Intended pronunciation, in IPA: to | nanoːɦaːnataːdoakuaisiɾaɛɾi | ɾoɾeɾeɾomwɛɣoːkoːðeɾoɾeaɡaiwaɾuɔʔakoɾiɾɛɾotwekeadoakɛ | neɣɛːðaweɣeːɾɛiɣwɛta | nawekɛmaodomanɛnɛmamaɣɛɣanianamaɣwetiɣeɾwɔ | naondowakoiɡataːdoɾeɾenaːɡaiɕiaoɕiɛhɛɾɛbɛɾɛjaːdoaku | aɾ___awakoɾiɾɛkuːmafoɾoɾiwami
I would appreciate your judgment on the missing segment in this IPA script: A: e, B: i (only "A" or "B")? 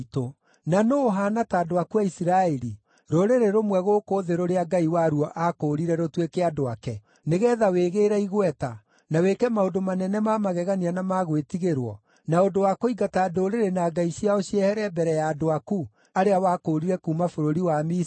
A